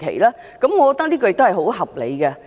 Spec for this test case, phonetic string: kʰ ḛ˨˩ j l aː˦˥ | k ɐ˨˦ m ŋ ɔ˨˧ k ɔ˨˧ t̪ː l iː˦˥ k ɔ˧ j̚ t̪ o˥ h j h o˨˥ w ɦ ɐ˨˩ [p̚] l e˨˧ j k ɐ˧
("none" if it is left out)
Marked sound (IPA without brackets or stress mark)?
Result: p̚